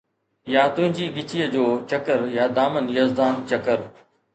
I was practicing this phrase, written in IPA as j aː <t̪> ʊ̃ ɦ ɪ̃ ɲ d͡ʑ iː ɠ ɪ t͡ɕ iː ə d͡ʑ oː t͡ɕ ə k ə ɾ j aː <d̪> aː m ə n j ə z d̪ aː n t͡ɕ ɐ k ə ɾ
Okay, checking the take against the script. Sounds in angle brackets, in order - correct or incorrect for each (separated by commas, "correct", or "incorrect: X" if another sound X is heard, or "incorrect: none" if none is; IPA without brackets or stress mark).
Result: correct, correct